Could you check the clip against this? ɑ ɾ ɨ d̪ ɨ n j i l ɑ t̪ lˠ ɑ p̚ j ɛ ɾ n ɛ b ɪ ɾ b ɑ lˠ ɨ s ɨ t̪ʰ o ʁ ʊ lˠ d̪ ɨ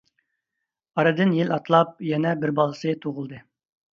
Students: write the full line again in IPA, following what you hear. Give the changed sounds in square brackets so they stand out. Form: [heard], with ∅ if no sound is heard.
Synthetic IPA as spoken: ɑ ɾ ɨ d̪ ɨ n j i l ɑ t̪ lˠ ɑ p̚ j ɛ [∅] n ɛ b ɪ ɾ b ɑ lˠ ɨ s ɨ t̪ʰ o ʁ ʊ lˠ d̪ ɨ